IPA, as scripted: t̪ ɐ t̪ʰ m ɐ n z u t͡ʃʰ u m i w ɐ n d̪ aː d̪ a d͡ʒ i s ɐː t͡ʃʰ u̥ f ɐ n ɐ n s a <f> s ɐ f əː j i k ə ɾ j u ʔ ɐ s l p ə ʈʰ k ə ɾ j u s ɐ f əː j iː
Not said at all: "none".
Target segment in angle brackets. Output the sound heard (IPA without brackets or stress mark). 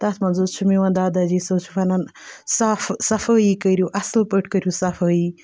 f